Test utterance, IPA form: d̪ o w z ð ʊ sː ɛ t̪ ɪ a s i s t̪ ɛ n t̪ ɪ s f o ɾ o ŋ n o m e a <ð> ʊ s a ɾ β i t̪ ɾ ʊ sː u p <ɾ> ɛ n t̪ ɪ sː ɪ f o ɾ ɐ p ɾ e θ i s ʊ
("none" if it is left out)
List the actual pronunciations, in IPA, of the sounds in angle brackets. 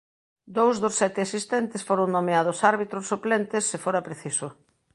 ð, l

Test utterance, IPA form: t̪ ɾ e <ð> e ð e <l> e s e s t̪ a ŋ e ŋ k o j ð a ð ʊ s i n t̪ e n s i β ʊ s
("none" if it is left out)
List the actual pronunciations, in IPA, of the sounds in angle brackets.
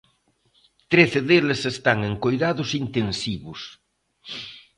θ, l

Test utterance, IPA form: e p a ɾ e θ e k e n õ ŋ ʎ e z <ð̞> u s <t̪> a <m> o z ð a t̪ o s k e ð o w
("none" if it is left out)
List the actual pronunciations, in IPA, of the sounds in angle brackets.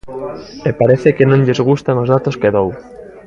ɣ̞, t̪, ŋ

